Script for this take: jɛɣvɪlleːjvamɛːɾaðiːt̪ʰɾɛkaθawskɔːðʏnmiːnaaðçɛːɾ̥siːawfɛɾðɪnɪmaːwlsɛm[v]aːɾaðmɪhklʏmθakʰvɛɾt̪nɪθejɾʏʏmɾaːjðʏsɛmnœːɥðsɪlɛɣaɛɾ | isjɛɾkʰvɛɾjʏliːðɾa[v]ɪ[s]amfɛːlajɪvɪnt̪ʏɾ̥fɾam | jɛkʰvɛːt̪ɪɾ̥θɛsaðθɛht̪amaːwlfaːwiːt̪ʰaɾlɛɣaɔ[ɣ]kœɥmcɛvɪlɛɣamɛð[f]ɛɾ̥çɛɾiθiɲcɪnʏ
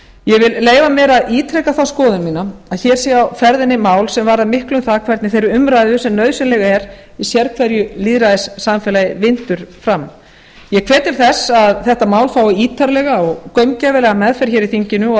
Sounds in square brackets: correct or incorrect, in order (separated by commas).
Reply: correct, incorrect, incorrect, correct, correct